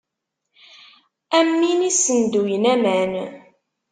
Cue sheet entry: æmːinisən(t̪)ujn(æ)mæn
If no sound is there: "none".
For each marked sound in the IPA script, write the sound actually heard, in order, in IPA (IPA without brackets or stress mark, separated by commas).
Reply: d̪, æ